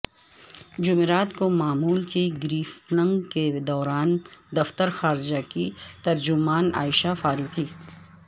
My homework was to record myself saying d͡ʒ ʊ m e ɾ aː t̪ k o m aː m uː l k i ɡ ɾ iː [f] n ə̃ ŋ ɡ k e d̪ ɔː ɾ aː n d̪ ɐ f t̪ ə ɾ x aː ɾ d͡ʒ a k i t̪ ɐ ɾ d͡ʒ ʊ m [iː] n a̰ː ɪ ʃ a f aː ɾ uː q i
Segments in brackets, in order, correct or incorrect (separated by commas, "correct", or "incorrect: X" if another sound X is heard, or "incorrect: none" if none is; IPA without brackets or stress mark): correct, incorrect: aː